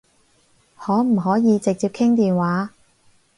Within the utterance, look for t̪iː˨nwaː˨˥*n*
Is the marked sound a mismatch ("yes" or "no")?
yes